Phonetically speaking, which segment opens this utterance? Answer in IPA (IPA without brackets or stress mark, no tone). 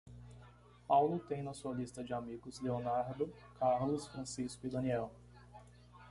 p